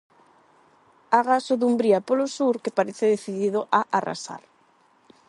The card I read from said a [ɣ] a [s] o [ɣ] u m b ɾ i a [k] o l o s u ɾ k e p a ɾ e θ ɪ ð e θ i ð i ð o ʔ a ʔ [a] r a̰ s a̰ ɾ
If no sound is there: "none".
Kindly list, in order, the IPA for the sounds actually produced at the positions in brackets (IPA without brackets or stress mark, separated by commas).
ɣ, s, ð, p, a